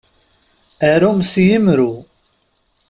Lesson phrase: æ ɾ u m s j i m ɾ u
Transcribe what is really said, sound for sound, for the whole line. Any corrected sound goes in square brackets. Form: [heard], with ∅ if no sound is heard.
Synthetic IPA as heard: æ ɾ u m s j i m ɾ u